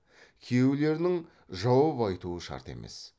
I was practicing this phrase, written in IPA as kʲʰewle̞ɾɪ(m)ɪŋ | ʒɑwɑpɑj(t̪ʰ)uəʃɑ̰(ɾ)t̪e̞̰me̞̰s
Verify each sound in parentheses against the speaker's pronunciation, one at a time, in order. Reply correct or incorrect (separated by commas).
incorrect, incorrect, correct